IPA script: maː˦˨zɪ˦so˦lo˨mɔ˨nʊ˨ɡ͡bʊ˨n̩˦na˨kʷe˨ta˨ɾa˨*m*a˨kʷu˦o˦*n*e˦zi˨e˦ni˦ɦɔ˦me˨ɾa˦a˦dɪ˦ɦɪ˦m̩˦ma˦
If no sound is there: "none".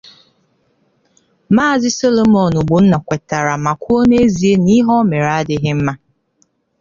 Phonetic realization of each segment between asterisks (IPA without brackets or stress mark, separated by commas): m, n